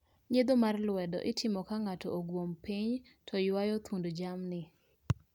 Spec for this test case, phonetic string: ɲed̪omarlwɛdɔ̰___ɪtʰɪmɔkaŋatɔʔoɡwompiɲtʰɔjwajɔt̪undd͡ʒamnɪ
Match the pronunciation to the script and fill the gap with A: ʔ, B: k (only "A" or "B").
A